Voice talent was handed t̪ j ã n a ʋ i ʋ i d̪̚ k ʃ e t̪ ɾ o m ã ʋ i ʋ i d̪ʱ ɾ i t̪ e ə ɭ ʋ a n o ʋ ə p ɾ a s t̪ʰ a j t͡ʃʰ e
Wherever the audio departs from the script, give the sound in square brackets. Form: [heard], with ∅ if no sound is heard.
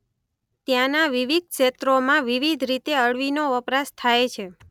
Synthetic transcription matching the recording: t̪ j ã n a ʋ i ʋ i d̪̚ k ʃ e t̪ ɾ o m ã ʋ i ʋ i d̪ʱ ɾ i t̪ e ə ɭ ʋ [i] n o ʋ ə p ɾ a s t̪ʰ a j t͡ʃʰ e

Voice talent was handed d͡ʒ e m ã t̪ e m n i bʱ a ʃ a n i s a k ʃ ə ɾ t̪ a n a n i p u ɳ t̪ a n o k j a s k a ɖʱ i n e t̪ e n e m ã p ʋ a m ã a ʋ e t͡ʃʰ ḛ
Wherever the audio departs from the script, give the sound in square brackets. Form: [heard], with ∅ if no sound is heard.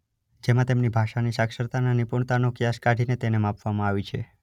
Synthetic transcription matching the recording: d͡ʒ e m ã t̪ e m n i bʱ a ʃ a n i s a k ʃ ə ɾ t̪ a n a n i p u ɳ t̪ a n o k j a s k a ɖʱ i n e t̪ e n e m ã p ʋ a m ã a ʋ [i] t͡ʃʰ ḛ

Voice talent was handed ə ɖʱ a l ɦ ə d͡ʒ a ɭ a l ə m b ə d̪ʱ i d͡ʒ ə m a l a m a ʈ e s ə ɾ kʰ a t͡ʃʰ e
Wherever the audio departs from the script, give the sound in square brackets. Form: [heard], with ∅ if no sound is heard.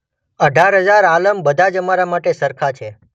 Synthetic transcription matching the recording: ə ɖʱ a [ɾ] ɦ ə d͡ʒ a [ɾ] a l ə m b ə d̪ʱ [a] d͡ʒ ə m a [ɾ] a m a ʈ e s ə ɾ kʰ a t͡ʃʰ e

